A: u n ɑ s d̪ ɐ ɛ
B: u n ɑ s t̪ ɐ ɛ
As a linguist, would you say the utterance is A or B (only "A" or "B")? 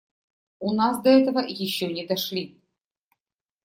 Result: A